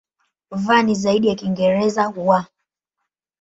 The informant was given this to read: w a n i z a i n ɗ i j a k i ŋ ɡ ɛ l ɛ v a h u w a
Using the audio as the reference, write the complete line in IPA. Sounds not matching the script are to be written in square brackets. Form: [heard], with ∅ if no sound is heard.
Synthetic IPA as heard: [v] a n i z a i [∅] ɗ i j a k i ŋ ɡ ɛ [ɾ] ɛ [z] a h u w a